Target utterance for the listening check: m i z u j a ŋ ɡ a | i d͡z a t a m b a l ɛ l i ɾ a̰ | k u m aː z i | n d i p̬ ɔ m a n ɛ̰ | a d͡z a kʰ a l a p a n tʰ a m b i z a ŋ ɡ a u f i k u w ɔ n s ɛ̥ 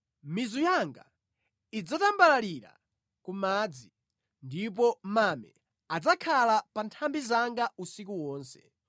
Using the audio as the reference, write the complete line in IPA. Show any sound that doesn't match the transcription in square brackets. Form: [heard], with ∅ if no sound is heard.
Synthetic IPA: m i z u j a ŋ ɡ a | i d͡z a t a m b a l [a] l i ɾ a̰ | k u m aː [d͡z] i | n d i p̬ ɔ m a [m] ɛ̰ | a d͡z a kʰ a l a p a n tʰ a m b i z a ŋ ɡ a u [s] i k u w [ɔː] n s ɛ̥